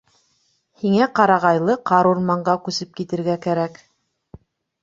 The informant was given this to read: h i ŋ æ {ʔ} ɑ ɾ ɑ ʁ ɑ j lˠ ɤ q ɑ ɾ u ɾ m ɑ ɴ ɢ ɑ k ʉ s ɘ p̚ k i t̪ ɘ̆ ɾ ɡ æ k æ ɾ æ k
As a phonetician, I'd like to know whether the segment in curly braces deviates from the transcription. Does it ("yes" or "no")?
yes